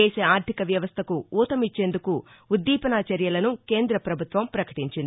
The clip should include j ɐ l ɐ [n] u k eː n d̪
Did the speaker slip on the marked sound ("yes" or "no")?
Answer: no